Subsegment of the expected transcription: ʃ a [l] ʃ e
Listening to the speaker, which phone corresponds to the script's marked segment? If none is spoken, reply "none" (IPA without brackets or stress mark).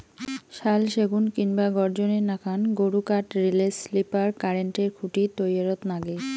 l